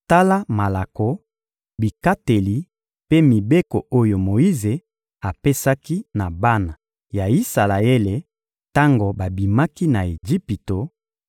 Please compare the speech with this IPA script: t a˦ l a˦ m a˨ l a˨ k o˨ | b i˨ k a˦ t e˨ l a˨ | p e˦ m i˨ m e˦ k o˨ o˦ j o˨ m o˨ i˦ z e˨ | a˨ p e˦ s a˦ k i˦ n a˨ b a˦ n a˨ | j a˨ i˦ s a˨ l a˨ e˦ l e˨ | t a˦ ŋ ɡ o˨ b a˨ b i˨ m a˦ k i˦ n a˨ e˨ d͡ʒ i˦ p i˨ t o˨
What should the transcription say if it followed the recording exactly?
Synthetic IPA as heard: t a˦ l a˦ m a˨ l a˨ k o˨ | b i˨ k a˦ t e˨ l i˨ | p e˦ m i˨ b e˦ k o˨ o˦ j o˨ m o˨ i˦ z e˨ | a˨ p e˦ s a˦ k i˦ n a˨ b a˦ n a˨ | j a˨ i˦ s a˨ l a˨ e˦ l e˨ | t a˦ ŋ ɡ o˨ b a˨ b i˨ m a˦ k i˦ n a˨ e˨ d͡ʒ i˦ p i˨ t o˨